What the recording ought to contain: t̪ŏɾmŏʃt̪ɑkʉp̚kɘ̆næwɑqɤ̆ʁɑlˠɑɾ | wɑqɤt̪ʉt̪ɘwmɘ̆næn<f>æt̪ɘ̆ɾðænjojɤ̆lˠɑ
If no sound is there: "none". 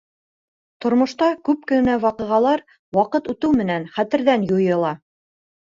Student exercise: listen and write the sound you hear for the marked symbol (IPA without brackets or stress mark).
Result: χ